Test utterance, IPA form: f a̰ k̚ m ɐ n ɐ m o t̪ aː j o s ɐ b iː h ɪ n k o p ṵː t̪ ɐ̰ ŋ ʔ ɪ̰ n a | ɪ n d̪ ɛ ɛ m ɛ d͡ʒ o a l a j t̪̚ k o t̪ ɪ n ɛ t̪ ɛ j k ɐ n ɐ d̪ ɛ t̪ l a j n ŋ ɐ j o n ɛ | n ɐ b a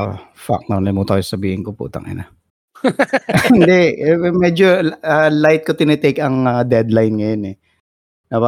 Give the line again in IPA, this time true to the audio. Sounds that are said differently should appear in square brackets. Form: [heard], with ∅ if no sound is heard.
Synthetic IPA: f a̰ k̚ [n] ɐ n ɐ m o t̪ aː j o s ɐ b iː h ɪ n k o p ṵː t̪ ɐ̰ ŋ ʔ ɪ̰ n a | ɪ n d̪ ɛ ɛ m ɛ d͡ʒ o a l a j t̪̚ k o t̪ ɪ n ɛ t̪ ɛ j k ɐ [ŋ] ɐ d̪ ɛ [d̪] l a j n ŋ ɐ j o n ɛ | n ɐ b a